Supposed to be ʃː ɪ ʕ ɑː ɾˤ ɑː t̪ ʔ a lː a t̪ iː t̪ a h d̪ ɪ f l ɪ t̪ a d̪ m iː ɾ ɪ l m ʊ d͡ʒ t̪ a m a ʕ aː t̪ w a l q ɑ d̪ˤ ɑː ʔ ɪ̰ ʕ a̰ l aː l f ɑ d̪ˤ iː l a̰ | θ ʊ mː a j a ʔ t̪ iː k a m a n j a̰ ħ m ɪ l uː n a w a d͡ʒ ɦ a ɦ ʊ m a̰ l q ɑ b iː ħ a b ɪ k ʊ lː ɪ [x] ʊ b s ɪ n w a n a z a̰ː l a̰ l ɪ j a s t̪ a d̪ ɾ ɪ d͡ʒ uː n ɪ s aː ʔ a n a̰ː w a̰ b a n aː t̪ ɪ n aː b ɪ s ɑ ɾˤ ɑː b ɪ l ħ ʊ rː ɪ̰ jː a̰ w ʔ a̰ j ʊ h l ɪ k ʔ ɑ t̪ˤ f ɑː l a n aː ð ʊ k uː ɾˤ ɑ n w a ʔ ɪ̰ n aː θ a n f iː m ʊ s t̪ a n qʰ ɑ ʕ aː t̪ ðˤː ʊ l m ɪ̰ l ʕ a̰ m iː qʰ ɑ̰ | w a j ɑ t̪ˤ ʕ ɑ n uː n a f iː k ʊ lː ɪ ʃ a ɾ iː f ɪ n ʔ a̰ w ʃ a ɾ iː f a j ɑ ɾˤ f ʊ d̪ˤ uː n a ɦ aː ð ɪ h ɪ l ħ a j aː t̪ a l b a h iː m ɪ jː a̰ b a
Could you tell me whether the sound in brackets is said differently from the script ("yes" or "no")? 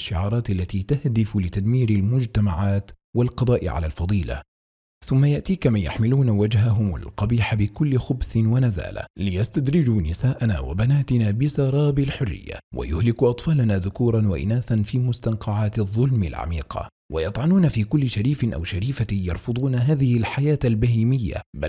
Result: no